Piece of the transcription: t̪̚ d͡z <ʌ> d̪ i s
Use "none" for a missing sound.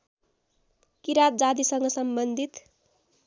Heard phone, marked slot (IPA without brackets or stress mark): a